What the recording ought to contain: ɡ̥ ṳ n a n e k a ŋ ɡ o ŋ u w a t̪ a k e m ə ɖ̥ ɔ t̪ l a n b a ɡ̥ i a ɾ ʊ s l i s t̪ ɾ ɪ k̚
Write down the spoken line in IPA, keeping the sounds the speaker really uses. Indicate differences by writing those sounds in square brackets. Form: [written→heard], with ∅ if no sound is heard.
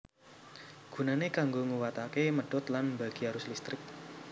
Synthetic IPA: ɡ̥ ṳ n a n e k a ŋ ɡ o ŋ u w a t̪ a k e m ə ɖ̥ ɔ t̪ l a n b a ɡ̥ i a ɾ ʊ s l i s t̪ ɾ ɪ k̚